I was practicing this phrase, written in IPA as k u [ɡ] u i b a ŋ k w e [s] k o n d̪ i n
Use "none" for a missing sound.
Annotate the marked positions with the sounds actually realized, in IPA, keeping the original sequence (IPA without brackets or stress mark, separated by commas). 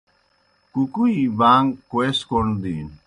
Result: k, s